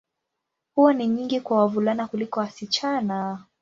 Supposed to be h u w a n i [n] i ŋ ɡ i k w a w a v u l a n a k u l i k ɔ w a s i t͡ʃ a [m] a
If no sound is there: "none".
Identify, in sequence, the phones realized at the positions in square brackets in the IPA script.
ɲ, n

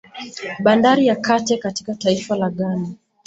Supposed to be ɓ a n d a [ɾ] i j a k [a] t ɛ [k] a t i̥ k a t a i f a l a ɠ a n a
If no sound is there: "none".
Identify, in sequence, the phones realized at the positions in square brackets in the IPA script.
ɾ, a, k

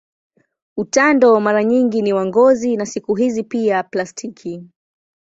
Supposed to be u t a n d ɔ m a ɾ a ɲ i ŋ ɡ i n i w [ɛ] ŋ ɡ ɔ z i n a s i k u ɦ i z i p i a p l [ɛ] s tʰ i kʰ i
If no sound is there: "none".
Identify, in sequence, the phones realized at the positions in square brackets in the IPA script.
a, a

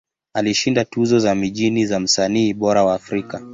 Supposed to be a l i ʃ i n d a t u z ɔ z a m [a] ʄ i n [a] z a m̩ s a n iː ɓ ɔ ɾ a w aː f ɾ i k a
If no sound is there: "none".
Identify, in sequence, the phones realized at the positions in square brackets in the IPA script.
i, i

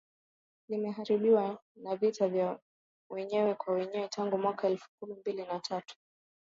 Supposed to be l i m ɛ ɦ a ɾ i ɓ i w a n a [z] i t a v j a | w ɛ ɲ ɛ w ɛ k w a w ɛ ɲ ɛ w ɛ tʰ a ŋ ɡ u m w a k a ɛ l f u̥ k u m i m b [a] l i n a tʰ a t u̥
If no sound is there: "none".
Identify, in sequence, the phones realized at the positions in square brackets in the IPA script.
v, i

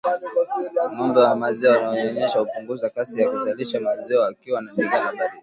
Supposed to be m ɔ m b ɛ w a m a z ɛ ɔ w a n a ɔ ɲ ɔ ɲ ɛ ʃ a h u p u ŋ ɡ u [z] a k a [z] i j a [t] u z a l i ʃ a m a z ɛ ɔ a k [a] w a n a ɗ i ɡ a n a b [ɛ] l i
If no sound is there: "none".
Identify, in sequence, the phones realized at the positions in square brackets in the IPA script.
z, s, k, i, a

